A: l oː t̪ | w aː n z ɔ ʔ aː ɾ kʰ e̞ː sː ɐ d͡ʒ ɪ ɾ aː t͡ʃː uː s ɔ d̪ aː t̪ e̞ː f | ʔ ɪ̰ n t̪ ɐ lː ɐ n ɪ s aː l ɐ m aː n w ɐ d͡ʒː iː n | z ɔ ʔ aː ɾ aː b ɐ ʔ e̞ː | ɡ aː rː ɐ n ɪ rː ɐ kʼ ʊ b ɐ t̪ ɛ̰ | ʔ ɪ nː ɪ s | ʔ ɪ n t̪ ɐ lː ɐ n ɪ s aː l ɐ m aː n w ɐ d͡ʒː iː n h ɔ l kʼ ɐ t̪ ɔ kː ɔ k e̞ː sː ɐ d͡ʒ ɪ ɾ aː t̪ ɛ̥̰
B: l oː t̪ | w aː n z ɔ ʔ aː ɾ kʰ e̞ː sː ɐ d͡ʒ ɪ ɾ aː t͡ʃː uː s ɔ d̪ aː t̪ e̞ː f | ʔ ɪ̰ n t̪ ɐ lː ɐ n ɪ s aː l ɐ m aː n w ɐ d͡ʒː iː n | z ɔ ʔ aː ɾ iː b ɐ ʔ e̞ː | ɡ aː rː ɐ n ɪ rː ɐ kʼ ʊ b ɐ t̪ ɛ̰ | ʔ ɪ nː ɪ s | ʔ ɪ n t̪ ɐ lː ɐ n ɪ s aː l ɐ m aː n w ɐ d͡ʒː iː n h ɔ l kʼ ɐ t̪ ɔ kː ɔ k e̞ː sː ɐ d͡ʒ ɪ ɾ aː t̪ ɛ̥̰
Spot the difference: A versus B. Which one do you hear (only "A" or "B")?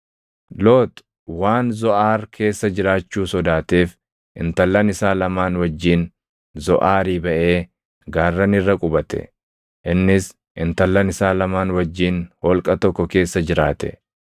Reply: B